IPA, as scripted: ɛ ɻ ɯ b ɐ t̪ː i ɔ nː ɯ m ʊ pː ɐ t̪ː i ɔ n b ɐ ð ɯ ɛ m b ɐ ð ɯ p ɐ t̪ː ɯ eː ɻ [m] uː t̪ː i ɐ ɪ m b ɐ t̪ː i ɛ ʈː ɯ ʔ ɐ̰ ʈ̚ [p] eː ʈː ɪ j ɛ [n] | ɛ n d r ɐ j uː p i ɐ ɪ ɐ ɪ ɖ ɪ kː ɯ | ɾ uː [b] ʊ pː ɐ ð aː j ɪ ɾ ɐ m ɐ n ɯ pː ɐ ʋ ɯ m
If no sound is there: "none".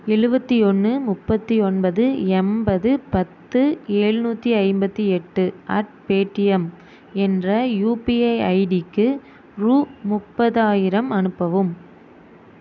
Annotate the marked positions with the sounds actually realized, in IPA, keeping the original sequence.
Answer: n, p, m, m

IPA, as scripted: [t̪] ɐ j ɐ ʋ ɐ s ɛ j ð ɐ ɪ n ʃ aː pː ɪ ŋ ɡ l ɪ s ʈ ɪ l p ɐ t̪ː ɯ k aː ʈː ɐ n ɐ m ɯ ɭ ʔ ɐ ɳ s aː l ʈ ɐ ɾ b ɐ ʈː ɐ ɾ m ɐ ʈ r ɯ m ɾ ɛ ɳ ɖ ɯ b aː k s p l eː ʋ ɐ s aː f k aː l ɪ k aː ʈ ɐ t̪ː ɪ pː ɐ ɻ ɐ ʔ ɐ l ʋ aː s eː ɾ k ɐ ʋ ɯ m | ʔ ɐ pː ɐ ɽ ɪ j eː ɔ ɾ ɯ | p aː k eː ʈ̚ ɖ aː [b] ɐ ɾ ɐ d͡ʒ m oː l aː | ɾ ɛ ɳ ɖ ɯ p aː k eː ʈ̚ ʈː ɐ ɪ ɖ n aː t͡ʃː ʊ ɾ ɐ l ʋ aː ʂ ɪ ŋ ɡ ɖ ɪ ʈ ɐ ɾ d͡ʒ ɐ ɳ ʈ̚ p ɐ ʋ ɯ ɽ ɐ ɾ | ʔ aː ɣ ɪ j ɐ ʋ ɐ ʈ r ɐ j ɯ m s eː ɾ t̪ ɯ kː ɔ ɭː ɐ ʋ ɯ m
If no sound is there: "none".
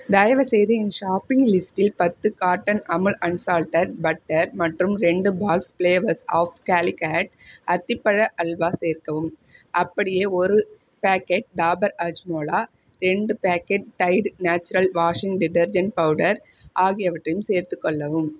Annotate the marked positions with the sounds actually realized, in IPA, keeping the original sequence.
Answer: d̪, b

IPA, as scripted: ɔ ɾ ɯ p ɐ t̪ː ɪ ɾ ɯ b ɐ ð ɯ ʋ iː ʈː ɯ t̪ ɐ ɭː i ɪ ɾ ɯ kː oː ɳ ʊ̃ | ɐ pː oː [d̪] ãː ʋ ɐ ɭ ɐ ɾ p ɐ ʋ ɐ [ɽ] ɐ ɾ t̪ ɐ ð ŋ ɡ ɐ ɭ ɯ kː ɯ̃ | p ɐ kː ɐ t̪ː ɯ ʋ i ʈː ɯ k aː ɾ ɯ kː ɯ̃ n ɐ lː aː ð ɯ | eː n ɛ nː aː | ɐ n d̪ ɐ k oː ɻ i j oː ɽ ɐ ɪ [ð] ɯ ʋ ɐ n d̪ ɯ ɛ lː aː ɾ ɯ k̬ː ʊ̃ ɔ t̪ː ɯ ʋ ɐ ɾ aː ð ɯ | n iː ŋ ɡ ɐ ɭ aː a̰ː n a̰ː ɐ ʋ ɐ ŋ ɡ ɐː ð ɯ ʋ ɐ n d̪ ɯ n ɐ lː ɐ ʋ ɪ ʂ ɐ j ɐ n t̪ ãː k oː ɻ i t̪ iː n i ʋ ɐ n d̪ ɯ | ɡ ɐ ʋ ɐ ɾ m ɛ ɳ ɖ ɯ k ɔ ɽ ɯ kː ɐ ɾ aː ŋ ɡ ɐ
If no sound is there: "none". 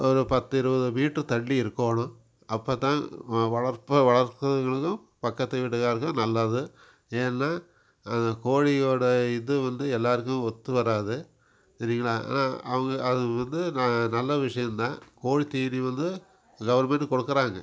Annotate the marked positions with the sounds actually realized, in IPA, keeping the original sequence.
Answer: t̪, ɭ, ð

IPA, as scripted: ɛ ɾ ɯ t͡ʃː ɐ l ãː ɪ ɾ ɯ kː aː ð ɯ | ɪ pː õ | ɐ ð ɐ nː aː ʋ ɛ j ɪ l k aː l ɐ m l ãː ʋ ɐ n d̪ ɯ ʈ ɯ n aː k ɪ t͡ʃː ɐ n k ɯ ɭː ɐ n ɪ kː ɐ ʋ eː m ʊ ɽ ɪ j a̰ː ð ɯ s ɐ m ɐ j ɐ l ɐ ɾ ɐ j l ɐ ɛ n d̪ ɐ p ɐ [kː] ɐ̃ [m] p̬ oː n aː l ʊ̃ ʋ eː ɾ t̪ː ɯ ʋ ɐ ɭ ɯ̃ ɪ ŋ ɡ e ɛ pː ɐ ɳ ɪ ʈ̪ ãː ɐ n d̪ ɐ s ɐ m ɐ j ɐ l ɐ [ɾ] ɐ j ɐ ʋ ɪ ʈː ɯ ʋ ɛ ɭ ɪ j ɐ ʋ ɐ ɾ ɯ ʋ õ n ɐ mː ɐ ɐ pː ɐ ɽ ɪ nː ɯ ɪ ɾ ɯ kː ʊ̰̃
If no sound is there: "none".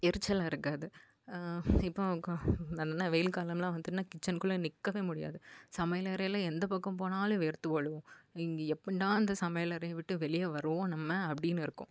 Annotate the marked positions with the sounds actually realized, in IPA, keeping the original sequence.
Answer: kː, m, ɾ

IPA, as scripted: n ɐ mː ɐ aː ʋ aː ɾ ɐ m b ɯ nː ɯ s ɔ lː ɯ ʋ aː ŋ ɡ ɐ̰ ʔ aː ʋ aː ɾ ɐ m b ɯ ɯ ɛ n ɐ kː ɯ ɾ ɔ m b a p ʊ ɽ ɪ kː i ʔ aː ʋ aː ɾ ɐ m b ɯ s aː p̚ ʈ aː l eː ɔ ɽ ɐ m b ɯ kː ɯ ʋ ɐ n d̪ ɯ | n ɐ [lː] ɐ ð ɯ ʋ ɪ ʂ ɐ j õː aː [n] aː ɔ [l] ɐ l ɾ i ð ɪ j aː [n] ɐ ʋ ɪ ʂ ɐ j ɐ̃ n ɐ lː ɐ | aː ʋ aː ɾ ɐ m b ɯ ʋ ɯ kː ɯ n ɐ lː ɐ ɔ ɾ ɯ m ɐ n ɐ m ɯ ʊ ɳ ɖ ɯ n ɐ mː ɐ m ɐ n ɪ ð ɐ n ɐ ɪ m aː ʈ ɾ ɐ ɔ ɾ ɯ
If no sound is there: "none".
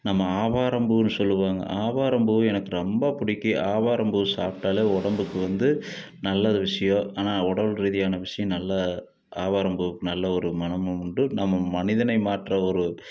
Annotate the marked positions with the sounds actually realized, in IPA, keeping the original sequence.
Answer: lː, n, ɽ, n

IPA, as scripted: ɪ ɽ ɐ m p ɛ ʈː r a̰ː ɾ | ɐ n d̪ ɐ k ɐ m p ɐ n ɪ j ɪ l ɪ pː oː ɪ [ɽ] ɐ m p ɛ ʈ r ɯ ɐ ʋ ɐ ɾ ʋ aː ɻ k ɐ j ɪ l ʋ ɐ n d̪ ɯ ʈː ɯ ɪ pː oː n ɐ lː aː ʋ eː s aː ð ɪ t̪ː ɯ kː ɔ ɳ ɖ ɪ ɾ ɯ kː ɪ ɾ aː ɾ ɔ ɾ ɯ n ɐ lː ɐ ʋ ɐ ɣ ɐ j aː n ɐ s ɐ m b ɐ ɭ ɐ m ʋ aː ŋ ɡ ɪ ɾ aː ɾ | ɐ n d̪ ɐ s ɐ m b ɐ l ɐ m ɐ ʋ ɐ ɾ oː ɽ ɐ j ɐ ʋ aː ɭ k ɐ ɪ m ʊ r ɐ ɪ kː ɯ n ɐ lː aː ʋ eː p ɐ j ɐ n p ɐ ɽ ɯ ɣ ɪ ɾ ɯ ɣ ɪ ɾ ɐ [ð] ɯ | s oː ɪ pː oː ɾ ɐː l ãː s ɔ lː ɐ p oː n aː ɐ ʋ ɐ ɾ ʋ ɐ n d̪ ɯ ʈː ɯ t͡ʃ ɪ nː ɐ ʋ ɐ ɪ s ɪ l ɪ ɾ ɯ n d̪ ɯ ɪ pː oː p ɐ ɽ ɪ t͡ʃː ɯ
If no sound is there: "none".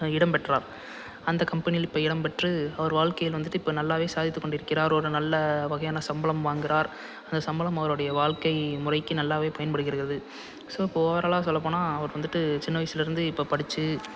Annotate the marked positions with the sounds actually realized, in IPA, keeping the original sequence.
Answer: ɽ, ð

